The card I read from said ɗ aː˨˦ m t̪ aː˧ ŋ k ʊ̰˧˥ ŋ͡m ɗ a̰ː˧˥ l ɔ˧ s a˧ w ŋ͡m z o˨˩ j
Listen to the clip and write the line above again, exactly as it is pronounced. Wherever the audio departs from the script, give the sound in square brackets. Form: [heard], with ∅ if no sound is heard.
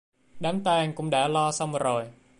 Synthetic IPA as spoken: ɗ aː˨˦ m t̪ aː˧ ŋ k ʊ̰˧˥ ŋ͡m ɗ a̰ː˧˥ l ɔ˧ s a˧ w ŋ͡m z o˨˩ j